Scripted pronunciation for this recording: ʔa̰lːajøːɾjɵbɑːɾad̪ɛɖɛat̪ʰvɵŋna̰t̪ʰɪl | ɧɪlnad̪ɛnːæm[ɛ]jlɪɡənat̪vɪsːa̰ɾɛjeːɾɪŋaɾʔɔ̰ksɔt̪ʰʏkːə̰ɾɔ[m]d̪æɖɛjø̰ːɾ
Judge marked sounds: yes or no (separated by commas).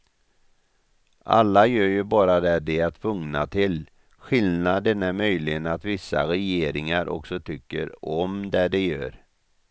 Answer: no, yes